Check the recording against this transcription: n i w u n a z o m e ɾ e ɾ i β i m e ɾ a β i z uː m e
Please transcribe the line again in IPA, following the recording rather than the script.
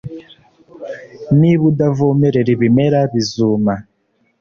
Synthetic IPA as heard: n i β u d a v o m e ɾ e ɾ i β i m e ɾ a β i z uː m a